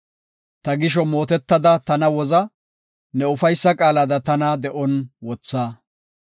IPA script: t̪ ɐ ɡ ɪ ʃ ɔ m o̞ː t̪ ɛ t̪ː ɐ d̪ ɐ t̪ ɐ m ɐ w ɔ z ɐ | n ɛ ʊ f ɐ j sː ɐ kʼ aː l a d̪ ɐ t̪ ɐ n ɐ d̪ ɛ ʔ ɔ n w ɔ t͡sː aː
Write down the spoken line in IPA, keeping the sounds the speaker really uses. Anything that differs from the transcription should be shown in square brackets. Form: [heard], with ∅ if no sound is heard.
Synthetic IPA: t̪ ɐ ɡ ɪ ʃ ɔ m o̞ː t̪ ɛ t̪ː ɐ d̪ ɐ t̪ ɐ [n] ɐ w ɔ z ɐ | n ɛ ʊ f ɐ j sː ɐ kʼ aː l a d̪ ɐ t̪ ɐ n ɐ d̪ ɛ ʔ ɔ n w ɔ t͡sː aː